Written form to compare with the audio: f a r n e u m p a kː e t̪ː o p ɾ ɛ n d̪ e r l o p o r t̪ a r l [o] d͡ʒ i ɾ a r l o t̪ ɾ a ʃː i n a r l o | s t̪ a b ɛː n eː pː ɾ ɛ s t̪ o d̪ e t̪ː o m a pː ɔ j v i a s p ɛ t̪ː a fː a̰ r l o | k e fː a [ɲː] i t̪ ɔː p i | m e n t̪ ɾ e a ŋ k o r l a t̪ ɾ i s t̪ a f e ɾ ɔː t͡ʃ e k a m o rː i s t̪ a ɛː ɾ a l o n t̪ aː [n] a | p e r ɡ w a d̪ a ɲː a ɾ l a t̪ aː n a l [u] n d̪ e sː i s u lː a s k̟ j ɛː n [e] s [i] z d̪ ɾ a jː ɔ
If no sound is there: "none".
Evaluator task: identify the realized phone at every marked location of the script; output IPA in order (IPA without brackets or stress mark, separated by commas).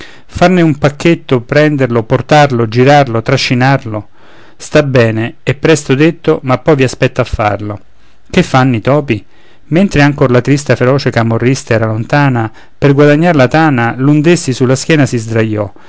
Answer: o, nː, n, u, a, i